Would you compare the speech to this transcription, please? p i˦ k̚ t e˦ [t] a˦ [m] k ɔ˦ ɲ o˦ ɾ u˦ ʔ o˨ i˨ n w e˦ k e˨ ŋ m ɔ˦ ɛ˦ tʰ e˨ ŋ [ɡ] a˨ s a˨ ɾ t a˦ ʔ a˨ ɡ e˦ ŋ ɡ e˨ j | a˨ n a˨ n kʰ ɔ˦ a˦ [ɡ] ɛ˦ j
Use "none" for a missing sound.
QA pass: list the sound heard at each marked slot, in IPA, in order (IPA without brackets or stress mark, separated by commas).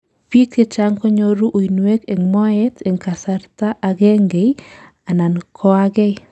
t͡ʃ, ŋ, k, ɡ